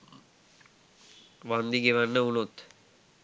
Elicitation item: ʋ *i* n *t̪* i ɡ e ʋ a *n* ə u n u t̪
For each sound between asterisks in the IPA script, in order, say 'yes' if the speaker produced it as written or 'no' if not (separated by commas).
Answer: no, no, no